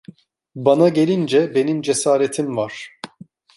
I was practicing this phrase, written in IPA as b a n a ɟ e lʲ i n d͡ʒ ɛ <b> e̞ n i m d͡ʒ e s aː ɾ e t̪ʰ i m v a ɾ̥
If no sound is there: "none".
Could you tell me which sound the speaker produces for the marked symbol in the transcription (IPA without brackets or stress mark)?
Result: b